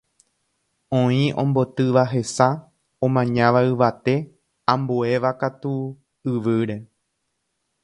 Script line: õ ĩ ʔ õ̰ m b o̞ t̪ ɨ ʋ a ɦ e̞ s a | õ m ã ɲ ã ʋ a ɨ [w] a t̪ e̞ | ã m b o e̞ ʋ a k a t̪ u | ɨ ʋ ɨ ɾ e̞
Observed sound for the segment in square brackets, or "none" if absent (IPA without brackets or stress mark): ʋ